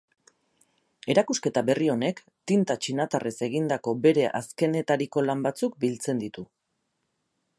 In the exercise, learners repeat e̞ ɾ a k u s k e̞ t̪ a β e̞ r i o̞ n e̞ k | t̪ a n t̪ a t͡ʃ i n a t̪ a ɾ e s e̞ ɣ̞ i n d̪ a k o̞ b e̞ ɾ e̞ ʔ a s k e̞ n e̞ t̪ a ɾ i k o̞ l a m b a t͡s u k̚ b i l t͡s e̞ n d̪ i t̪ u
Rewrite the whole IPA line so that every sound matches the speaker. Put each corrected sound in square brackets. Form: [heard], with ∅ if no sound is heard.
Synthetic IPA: e̞ ɾ a k u s k e̞ t̪ a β e̞ r i o̞ n e̞ k | t̪ [i] n t̪ a t͡ʃ i n a t̪ a [r] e s e̞ ɣ̞ i n d̪ a k o̞ b e̞ ɾ e̞ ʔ a s k e̞ n e̞ t̪ a ɾ i k o̞ l a m b a t͡s u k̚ b i l t͡s e̞ n d̪ i t̪ u